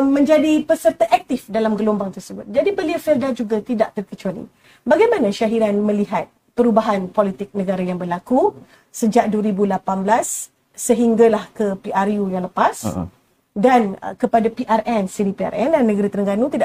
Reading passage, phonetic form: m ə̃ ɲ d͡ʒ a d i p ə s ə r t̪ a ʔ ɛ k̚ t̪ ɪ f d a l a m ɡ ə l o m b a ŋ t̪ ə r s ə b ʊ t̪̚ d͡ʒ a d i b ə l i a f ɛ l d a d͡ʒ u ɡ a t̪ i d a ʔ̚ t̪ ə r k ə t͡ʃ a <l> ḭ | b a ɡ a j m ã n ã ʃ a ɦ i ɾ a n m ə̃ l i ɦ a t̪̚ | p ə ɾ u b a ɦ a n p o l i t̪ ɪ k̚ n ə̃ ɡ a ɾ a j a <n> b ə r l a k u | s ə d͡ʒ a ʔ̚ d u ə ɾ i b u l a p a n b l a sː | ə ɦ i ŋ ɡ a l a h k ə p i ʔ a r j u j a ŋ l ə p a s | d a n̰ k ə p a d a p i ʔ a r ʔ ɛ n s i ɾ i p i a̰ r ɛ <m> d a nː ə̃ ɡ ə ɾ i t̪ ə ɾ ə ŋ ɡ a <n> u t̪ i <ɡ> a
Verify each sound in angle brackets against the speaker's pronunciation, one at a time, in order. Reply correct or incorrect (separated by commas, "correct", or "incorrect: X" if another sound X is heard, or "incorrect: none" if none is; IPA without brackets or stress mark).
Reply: correct, incorrect: ŋ, incorrect: n, correct, incorrect: d